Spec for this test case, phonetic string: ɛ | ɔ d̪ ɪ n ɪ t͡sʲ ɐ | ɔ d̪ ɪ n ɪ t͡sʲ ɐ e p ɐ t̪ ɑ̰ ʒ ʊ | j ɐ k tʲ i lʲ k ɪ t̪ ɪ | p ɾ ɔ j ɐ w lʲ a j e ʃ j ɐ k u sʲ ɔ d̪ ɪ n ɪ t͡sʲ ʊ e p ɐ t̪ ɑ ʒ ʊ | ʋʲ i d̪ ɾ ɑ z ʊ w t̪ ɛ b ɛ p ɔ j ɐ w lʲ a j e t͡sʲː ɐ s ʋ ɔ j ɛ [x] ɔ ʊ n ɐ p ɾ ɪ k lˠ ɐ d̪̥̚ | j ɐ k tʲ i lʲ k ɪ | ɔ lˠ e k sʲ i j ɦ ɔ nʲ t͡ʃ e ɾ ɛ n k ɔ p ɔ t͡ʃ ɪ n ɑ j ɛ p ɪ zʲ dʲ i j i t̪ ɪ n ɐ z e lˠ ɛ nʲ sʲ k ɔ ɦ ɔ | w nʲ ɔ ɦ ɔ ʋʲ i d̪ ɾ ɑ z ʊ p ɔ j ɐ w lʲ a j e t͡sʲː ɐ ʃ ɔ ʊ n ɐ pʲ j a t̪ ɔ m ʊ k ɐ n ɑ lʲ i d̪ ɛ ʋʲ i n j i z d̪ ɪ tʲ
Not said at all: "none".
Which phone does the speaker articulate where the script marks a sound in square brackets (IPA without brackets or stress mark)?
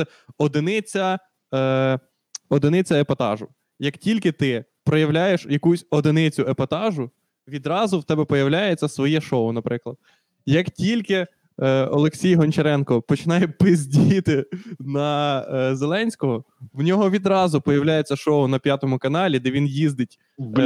ʃ